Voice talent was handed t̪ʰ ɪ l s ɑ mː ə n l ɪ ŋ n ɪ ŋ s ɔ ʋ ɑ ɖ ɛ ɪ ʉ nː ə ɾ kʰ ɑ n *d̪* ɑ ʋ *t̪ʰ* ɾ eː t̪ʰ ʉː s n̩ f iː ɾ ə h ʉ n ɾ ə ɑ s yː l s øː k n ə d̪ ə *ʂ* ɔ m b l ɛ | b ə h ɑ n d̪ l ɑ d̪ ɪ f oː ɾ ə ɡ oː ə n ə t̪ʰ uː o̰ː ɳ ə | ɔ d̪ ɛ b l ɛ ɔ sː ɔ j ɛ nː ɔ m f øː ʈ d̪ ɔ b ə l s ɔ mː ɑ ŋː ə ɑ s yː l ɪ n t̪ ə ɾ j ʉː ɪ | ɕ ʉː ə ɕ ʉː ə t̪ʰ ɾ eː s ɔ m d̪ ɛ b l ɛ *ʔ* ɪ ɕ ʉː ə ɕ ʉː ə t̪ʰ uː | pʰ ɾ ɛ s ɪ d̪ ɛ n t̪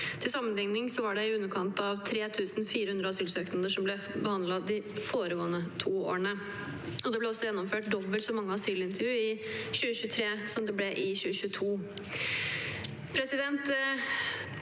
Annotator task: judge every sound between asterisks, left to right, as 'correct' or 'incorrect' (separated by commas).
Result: incorrect, correct, correct, correct